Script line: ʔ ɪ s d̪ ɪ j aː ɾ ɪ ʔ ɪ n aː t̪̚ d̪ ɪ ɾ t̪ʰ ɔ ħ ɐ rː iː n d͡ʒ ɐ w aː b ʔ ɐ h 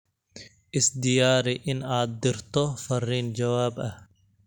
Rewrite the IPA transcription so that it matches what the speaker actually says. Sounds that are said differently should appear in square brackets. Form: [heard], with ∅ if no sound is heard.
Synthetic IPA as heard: ʔ ɪ s d̪ ɪ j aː ɾ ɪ ʔ ɪ n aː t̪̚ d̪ ɪ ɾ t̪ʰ ɔ [f] ɐ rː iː n d͡ʒ ɐ w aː b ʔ ɐ h